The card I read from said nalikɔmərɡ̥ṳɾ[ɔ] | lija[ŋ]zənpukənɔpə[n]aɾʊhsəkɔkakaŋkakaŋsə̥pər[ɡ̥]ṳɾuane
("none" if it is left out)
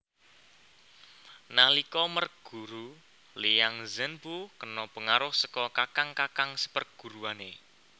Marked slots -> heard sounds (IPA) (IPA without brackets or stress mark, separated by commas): u, ŋ, ŋ, ɡ̥